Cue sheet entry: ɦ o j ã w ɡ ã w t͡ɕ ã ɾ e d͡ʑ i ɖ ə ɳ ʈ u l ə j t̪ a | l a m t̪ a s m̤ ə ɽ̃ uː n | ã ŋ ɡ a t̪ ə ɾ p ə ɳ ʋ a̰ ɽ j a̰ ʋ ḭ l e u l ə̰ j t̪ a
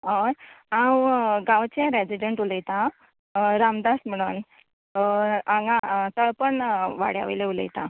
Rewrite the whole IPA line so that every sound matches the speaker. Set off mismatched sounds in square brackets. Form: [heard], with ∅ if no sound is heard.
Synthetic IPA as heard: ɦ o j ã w ɡ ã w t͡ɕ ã ɾ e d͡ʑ i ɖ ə ɳ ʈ u l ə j t̪ a | [ɾ] a m [d̪] a s m̤ ə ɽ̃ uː n | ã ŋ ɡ a t̪ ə [ɭ] p ə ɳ ʋ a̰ ɽ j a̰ ʋ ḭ l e u l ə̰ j t̪ a

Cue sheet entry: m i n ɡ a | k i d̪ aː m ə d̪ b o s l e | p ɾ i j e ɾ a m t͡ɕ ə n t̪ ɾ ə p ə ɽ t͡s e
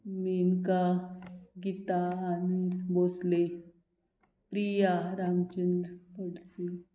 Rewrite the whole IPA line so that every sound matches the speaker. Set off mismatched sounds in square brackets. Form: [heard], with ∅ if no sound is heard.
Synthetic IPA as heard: m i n [k] a | [ɡ] i [t̪] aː [n] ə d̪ b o s l e | p ɾ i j [a] ɾ a m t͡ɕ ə n [d̪] ɾ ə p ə ɽ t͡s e

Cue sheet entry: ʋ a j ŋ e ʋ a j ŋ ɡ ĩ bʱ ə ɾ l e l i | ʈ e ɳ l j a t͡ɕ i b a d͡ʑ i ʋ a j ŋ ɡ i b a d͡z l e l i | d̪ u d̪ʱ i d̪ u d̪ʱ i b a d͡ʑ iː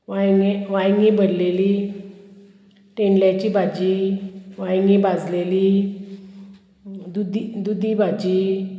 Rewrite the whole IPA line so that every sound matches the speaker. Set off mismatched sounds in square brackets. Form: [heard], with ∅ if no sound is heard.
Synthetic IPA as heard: ʋ a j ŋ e ʋ a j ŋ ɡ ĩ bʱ ə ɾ l e l i | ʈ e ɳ l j a t͡ɕ i b a d͡ʑ i ʋ a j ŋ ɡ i b a d͡z l e l i | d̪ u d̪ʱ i d̪ u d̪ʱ i b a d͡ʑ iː

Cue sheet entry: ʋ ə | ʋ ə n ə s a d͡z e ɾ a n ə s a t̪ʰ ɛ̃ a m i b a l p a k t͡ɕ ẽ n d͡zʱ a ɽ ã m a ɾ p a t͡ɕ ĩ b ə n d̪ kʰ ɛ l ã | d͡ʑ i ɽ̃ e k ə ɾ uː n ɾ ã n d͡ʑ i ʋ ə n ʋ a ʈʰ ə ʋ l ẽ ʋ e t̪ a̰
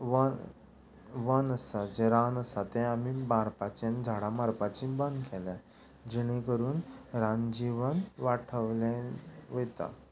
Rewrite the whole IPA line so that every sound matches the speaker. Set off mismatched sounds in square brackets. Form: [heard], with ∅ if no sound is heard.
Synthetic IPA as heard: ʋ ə | ʋ ə n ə s a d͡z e ɾ a n ə s a [t̪] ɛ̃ a m i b a [ɾ] p a [∅] t͡ɕ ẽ n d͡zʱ a ɽ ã m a ɾ p a t͡ɕ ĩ b ə n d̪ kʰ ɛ l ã | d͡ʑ i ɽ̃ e k ə ɾ uː n ɾ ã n d͡ʑ i ʋ ə n ʋ a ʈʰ ə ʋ l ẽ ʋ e t̪ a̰

